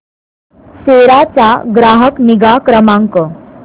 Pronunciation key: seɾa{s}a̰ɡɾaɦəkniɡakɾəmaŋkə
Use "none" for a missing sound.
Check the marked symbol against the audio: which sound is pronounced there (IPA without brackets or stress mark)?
t͡s